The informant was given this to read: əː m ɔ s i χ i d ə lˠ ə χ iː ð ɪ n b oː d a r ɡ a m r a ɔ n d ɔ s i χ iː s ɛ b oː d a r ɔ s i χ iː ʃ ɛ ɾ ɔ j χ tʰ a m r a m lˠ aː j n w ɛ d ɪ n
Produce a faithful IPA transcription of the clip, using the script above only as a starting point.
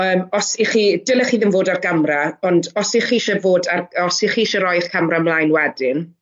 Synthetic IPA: əː m ɔ s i χ i d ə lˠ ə χ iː ð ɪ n v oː d a r ɡ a m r a ɔ n d ɔ s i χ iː ʃ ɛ v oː d a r ɔ s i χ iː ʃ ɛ ɾ ɔ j χ kʰ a m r a m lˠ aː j n w ɛ d ɪ n